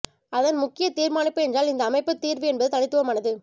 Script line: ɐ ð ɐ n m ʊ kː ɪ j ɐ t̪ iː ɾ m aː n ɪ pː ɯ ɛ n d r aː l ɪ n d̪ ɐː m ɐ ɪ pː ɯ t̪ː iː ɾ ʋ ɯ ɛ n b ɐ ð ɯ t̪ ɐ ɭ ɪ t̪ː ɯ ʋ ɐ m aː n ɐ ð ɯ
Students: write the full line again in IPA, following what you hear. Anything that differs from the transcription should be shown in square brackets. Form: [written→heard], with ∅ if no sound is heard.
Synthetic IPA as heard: ɐ ð ɐ n m ʊ kː ɪ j ɐ t̪ iː ɾ m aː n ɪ pː ɯ ɛ n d r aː l ɪ n d̪ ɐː m ɐ ɪ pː ɯ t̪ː iː ɾ ʋ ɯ ɛ n b ɐ ð ɯ t̪ ɐ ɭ ɪ t̪ː ɯ ʋ ɐ m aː n ɐ ð ɯ